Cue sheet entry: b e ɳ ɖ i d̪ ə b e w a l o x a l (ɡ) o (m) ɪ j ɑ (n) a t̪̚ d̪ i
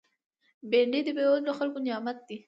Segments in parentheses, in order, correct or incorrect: incorrect, incorrect, incorrect

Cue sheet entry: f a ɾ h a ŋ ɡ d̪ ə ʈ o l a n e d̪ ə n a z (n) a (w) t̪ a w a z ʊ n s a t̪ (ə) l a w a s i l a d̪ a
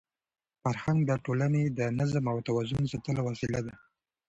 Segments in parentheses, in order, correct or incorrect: incorrect, correct, correct

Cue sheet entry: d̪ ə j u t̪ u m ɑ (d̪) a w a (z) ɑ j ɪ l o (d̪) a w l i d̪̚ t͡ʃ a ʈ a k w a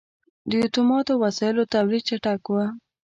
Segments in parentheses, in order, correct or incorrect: incorrect, incorrect, incorrect

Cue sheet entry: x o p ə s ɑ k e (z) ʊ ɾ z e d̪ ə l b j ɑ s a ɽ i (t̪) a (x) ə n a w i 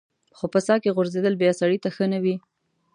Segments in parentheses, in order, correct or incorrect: incorrect, correct, correct

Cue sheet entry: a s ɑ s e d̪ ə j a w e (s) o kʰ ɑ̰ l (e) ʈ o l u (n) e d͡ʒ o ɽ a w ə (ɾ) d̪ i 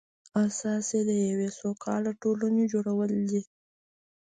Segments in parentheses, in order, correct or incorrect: correct, incorrect, correct, incorrect

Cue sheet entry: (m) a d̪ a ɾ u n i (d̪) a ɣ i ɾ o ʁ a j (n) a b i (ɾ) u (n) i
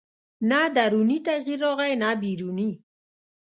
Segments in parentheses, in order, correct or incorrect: incorrect, incorrect, correct, correct, correct

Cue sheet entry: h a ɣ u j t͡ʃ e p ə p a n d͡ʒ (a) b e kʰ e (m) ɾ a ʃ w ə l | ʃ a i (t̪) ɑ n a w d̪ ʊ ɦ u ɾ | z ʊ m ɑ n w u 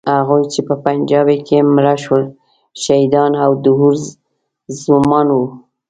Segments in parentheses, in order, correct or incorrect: incorrect, correct, incorrect

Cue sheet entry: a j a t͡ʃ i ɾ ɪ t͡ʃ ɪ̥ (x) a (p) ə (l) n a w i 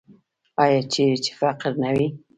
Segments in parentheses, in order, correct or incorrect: incorrect, incorrect, incorrect

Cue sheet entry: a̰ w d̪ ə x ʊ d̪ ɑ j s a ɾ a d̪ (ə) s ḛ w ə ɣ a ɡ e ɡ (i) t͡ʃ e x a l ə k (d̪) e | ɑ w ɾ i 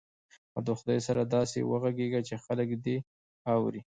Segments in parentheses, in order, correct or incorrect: incorrect, incorrect, correct

